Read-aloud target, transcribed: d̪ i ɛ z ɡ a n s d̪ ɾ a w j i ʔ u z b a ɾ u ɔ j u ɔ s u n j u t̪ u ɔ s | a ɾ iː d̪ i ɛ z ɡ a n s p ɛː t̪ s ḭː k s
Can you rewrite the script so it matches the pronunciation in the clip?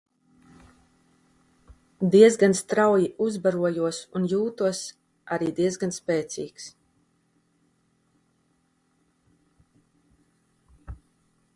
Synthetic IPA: d̪ i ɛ z ɡ a n s t̪ ɾ a w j i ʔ u z b a ɾ u ɔ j u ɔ s u n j uː t̪ u ɔ s | a ɾ iː d̪ i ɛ z ɡ a n s p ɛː t̪ s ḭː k s